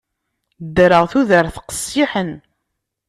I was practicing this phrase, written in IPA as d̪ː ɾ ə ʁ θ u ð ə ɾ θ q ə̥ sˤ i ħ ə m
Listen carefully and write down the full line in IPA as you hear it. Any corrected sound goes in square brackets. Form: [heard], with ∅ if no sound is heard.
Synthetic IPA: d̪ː ɾ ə ʁ θ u ð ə ɾ θ q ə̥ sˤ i ħ ə [n]